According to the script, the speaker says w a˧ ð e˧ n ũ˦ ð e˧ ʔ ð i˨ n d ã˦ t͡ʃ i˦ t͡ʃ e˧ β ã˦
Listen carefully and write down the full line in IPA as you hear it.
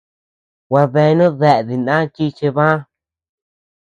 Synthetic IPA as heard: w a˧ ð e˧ n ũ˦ ð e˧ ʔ ð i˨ n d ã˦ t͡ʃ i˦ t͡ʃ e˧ β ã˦

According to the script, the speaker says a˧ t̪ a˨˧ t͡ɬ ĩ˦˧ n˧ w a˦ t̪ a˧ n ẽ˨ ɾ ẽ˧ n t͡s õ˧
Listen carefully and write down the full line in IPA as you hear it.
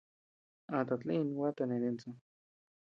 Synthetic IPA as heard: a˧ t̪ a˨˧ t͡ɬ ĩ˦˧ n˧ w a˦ t̪ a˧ n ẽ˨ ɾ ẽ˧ n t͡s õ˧

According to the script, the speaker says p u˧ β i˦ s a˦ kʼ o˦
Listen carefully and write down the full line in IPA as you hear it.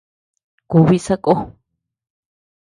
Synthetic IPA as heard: k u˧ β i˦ s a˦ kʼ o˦

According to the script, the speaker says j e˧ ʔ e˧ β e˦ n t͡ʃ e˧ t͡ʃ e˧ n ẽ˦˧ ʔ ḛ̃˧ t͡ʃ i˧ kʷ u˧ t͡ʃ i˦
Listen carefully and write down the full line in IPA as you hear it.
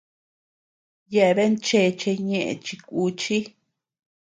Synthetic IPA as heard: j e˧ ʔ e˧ β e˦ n t͡ʃ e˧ t͡ʃ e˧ ɲ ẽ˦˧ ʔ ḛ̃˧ t͡ʃ i˧ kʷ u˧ t͡ʃ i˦

